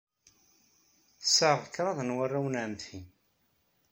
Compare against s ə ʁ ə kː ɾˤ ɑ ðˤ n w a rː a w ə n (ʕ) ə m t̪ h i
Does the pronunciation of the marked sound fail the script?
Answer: no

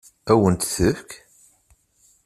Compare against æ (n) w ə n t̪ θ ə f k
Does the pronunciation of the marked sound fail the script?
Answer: yes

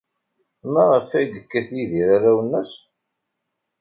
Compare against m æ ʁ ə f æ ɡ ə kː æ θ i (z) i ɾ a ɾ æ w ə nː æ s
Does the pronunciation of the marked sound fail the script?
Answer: yes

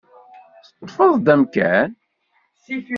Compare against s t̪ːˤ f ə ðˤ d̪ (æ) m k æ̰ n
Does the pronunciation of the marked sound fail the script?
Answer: no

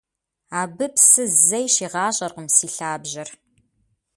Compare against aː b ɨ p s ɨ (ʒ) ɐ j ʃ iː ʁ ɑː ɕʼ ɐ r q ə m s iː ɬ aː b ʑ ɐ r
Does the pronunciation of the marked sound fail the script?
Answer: yes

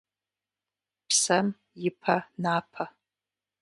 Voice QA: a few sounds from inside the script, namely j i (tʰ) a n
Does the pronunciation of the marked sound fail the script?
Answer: yes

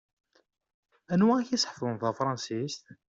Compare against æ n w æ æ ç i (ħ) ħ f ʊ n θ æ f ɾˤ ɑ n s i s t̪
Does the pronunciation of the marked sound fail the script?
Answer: yes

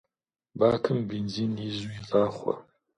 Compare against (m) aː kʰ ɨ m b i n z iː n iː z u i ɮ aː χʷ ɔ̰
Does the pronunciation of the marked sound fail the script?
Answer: yes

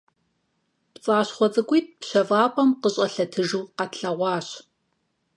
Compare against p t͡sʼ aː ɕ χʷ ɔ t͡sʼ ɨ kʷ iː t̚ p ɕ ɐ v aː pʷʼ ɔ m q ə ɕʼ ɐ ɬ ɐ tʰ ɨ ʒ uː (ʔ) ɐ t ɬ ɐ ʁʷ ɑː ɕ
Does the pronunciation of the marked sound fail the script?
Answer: yes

